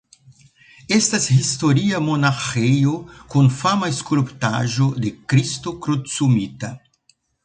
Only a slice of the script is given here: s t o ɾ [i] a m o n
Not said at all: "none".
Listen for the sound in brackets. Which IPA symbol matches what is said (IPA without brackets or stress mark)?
i